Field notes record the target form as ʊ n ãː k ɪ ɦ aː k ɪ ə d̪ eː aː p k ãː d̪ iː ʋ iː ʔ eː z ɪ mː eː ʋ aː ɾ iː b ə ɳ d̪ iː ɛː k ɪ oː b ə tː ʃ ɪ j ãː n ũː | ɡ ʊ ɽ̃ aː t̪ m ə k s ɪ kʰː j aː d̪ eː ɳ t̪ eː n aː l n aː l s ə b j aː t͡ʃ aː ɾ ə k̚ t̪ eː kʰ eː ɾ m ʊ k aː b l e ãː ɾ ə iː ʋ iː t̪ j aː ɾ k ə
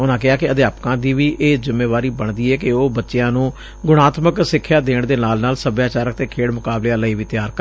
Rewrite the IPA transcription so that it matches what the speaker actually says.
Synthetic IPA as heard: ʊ n ãː k ɪ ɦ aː k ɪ ə d̪ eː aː p k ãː d̪ iː ʋ iː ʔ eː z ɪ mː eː ʋ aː ɾ iː b ə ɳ d̪ iː ɛː k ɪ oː b ə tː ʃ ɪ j ãː n ũː | ɡ ʊ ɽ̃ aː t̪ m ə k s ɪ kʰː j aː d̪ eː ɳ d̪ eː n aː l n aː l s ə b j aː t͡ʃ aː ɾ ə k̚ t̪ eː kʰ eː ɽ m ʊ k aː b l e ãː l ə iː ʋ iː t̪ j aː ɾ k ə